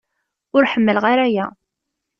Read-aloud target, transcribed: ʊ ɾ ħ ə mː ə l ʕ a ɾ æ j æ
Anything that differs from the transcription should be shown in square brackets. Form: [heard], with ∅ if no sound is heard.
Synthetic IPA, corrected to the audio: ʊ ɾ ħ ə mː ə l [ʁ] a ɾ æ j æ